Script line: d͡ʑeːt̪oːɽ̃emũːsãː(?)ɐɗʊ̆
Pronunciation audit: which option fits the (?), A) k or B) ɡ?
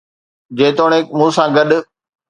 B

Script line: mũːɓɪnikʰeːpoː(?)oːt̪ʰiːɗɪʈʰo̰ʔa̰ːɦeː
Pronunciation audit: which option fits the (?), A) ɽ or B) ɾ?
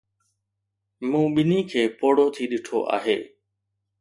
A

